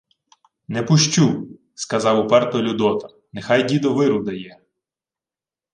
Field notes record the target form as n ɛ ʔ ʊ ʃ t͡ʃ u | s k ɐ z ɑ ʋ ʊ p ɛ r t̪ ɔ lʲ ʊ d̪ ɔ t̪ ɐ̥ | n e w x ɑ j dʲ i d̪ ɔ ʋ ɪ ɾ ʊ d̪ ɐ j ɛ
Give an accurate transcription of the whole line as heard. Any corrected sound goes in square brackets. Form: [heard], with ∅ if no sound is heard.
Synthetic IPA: n ɛ [p] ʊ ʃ t͡ʃ u | s k ɐ z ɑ [w] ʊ p ɛ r t̪ ɔ lʲ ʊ d̪ ɔ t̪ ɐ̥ | n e [∅] x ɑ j dʲ i d̪ ɔ ʋ ɪ ɾ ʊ d̪ ɐ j ɛ